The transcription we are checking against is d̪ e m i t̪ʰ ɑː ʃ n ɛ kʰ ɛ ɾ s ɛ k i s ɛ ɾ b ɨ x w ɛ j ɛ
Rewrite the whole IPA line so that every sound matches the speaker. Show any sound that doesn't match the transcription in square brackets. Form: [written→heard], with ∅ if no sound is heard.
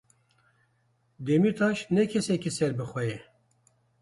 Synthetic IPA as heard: d̪ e m i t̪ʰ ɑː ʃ n ɛ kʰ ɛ [ɾ→∅] s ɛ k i s ɛ ɾ b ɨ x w ɛ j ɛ

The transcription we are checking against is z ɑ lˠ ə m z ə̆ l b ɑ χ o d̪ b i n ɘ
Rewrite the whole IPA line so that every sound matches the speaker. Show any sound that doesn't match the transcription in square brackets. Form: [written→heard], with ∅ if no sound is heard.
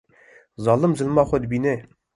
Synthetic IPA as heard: z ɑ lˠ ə m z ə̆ l [b→m] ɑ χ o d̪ b i n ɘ

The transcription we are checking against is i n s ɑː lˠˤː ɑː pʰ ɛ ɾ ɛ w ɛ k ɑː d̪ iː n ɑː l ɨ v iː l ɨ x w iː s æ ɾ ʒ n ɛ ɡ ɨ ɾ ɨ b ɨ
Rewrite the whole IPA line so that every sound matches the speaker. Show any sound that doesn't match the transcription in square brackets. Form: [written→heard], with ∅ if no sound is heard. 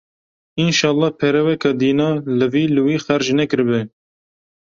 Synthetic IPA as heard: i n [s→ʃ] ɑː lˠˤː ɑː pʰ ɛ ɾ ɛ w ɛ k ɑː d̪ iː n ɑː l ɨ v iː l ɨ [x→∅] w iː [s→x] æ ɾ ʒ n ɛ [ɡ→k] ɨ ɾ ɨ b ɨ

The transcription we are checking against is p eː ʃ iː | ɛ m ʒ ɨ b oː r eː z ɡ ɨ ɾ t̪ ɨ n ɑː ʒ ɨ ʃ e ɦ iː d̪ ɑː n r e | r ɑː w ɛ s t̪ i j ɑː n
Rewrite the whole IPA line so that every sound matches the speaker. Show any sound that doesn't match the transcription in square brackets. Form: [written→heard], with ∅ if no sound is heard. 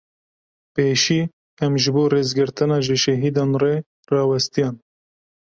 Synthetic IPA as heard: p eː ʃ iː | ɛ m ʒ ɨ b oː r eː z ɡ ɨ ɾ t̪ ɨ n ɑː ʒ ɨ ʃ [e→ɛ] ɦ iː d̪ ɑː n r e | r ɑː w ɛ s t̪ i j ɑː n

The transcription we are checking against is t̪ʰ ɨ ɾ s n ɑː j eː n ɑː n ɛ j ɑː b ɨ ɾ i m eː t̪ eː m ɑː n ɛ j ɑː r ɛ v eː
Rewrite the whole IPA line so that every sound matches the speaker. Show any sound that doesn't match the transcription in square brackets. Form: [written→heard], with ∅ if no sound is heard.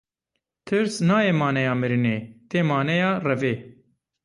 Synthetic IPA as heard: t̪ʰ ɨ ɾ s n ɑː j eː [n→m] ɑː n ɛ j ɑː [b→m] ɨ ɾ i [m→n] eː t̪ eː m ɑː n ɛ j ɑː r ɛ v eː

